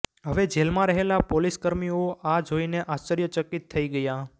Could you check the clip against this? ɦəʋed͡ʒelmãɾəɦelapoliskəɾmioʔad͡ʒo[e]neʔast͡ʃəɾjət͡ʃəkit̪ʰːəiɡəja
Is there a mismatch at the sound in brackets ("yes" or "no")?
yes